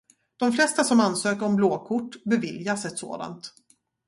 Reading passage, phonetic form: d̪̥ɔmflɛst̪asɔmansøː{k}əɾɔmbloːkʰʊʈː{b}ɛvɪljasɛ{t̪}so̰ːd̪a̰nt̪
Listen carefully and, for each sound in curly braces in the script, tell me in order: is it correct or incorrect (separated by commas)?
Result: correct, correct, correct